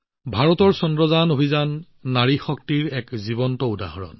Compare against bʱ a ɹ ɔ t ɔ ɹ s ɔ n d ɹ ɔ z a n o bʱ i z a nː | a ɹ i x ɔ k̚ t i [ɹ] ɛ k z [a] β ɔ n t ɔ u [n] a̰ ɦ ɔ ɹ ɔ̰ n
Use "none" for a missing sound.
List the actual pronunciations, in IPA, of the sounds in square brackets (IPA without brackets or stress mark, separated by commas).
ɹ, i, d